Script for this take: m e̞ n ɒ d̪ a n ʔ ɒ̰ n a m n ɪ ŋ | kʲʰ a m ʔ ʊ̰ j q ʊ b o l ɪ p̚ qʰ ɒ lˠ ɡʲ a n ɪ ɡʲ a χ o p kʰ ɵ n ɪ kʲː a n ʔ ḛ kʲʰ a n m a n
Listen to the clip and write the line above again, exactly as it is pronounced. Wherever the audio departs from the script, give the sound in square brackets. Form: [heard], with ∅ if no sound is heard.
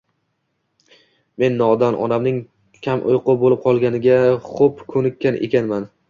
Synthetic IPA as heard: m e̞ [nː] ɒ d̪ a n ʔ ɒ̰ n a m n ɪ ŋ | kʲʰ a m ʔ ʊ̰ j q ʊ b o l ɪ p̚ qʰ ɒ lˠ ɡʲ a n ɪ ɡʲ a χ o p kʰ ɵ n ɪ kʲː a n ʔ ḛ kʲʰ a n m a n